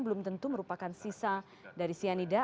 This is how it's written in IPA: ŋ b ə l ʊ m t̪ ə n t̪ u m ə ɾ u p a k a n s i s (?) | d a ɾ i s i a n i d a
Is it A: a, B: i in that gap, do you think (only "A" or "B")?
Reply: A